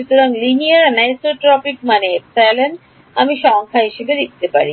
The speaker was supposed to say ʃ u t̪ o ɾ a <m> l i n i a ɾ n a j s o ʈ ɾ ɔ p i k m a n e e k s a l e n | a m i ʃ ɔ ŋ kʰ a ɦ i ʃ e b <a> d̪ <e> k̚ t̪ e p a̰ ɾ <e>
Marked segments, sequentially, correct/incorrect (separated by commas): incorrect, incorrect, incorrect, incorrect